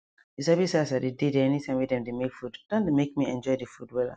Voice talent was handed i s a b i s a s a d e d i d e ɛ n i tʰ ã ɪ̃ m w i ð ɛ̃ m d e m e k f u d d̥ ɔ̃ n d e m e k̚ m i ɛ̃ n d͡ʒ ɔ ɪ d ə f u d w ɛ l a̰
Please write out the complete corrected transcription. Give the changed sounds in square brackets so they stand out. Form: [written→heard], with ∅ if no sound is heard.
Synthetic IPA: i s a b i s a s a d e d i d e ɛ n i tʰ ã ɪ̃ m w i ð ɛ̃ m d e m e k f u d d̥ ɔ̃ n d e m e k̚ m i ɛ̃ n d͡ʒ ɔ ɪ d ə f u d w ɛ l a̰